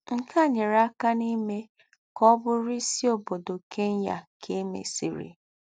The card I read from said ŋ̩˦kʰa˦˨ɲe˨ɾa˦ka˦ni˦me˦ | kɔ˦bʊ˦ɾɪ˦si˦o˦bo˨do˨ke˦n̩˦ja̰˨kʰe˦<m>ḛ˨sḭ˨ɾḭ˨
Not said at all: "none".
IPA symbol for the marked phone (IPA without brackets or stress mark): m